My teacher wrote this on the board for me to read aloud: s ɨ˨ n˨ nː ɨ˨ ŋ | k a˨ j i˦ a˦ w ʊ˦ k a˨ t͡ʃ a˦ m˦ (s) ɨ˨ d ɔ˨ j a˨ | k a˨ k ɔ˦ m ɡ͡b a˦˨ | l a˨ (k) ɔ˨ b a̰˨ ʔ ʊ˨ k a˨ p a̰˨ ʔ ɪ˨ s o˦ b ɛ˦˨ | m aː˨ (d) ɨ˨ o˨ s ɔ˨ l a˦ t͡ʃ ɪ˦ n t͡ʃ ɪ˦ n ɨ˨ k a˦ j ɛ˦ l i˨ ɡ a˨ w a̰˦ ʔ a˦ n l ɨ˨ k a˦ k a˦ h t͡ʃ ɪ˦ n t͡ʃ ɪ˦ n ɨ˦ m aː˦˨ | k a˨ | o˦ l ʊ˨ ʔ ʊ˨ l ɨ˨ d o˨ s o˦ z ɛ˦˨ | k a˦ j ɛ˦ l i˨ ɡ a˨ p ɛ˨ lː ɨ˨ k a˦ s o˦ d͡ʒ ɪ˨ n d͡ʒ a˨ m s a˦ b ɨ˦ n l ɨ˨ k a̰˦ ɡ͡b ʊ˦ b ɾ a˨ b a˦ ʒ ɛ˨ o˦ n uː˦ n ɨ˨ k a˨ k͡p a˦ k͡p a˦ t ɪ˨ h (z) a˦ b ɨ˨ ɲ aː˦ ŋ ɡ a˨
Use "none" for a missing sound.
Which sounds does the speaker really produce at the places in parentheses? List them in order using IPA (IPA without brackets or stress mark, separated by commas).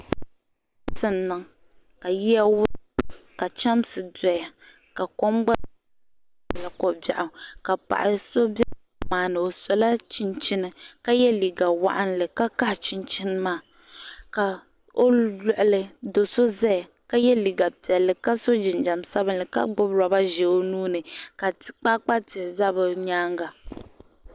s, k, n, z